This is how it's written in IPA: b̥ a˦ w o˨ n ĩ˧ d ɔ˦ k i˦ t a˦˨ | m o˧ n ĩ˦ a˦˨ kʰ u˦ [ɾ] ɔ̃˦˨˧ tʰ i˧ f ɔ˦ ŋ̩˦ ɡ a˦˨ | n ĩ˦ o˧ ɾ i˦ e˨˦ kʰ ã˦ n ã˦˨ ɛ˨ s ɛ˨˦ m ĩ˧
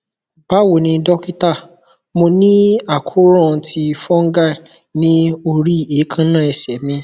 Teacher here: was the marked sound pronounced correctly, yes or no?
yes